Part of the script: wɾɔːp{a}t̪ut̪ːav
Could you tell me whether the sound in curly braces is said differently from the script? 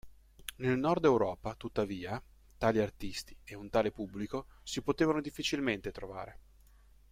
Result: no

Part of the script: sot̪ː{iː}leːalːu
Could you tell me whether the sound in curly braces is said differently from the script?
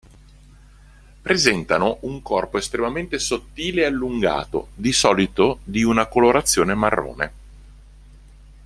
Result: no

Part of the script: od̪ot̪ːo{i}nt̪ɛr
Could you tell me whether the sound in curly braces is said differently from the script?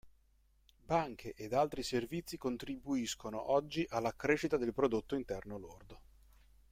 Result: no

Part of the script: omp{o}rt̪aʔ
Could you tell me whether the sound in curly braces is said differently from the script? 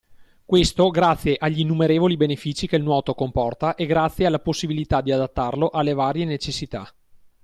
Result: yes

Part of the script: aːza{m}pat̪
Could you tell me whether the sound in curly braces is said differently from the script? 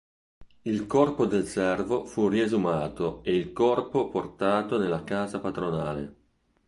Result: yes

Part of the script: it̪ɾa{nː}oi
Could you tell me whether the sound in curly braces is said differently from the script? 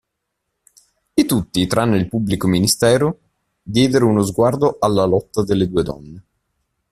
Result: no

